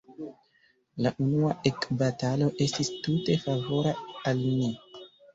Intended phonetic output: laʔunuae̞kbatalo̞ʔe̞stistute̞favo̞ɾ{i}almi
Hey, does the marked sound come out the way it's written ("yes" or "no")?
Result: no